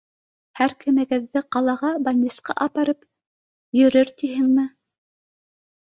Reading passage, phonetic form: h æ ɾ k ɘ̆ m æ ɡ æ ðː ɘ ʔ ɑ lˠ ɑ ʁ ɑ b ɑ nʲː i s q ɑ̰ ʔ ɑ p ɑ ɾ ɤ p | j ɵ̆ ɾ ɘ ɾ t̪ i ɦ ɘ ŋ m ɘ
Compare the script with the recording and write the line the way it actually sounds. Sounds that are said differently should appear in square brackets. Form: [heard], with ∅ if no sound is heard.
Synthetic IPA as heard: h æ ɾ k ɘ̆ m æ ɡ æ ðː ɘ [q] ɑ lˠ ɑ ʁ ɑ b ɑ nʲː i s q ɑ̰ ʔ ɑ p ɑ ɾ ɤ p | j ɵ̆ ɾ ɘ ɾ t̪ i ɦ ɘ ŋ m ɘ